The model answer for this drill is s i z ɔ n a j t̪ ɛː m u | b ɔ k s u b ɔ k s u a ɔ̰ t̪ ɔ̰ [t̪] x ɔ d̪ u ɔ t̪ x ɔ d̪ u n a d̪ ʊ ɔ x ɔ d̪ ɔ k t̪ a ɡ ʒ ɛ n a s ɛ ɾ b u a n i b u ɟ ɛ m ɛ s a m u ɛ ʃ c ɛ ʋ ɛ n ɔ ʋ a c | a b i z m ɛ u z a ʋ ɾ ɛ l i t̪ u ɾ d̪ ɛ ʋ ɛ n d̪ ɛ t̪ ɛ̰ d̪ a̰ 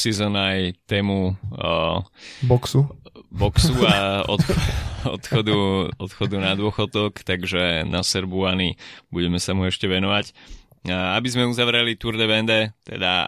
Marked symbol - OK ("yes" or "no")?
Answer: yes